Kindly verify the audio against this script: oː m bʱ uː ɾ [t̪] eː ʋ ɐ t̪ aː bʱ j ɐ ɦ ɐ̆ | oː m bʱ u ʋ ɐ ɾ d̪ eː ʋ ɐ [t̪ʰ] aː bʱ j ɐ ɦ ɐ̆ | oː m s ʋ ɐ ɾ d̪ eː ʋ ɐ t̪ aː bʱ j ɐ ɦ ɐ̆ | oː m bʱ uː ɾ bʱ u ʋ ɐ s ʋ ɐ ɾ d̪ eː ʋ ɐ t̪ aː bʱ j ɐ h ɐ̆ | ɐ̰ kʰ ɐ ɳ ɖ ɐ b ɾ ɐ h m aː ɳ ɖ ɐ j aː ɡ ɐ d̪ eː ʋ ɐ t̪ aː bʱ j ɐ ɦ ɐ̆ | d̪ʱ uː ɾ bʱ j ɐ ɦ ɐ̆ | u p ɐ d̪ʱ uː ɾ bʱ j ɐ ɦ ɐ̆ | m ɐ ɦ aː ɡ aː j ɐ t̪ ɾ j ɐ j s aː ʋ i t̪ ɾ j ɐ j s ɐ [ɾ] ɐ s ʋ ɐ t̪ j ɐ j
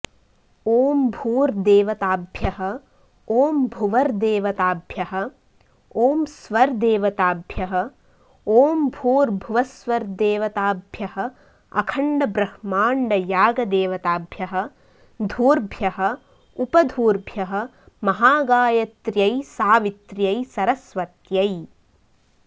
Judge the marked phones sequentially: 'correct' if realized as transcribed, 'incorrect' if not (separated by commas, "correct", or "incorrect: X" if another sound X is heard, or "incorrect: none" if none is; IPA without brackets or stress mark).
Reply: incorrect: d̪, incorrect: t̪, correct